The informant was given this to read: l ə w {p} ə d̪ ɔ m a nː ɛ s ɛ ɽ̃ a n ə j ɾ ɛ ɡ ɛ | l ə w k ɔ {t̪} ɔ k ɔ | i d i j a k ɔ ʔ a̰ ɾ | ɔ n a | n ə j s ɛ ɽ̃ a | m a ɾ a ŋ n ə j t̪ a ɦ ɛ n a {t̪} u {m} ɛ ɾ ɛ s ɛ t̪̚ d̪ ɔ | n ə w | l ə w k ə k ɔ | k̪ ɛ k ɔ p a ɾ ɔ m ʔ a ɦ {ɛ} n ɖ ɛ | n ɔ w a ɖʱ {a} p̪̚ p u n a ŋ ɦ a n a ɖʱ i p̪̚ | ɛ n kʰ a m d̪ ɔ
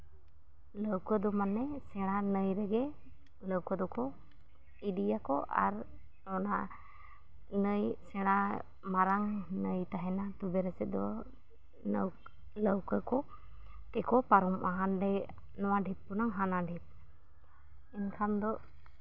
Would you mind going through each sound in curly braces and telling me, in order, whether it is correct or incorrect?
incorrect: k, incorrect: d̪, correct, incorrect: b, incorrect: a, incorrect: i

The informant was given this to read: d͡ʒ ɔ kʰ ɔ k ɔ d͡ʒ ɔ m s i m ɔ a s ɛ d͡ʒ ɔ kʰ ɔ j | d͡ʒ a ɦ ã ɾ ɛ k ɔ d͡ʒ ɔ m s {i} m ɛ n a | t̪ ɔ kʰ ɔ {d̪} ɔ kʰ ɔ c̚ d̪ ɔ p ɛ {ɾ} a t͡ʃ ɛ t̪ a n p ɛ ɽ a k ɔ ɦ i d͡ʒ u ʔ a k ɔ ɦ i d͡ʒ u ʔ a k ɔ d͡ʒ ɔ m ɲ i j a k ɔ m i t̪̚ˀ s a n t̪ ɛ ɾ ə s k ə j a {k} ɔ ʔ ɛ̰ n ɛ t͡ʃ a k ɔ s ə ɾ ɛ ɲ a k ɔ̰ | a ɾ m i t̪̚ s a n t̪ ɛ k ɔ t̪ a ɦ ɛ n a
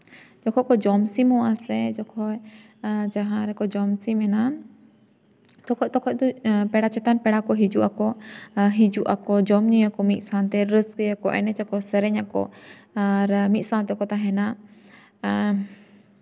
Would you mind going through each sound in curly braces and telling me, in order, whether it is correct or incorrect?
correct, incorrect: t̪, incorrect: ɽ, correct

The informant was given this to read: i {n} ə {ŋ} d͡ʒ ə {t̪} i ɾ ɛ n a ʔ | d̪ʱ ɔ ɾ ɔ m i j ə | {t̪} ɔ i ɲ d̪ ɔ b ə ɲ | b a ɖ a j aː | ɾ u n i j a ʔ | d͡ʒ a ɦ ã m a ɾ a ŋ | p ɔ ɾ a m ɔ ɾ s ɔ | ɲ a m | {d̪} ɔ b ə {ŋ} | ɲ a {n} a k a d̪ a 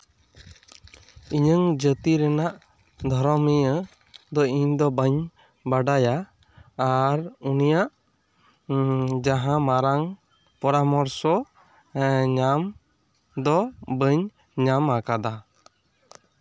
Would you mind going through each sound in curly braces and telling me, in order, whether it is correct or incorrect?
incorrect: ɲ, correct, correct, incorrect: d̪, correct, incorrect: ɲ, incorrect: m

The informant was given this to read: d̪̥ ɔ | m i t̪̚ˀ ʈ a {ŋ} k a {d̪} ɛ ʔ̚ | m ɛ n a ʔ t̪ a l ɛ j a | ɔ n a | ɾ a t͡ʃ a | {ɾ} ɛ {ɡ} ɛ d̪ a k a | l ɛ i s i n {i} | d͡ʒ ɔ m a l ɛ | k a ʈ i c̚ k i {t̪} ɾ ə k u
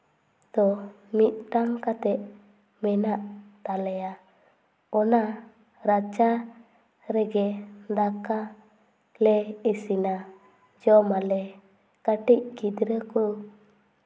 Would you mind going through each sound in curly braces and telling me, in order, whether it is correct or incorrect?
correct, incorrect: t̪, correct, correct, incorrect: a, incorrect: d̪

